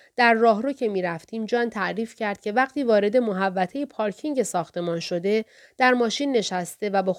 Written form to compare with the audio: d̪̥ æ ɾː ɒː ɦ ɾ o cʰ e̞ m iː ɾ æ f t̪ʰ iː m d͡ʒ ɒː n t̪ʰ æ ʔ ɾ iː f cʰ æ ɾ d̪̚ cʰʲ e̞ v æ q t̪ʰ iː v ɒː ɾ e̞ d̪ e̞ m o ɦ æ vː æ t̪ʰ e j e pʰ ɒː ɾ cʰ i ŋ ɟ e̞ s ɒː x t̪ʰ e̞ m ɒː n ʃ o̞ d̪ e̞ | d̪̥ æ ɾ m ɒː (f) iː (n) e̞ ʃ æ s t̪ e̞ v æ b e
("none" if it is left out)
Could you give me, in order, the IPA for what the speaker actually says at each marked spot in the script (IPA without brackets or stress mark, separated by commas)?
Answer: ʃ, nː